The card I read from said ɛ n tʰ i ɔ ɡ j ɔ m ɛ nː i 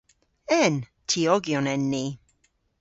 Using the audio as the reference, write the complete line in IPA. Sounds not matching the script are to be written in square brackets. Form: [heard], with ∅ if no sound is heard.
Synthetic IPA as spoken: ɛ n tʰ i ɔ ɡ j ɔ [n] ɛ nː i